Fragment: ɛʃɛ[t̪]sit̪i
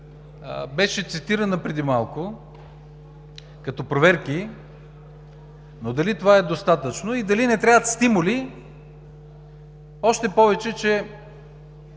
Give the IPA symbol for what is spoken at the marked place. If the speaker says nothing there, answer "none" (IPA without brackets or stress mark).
t̪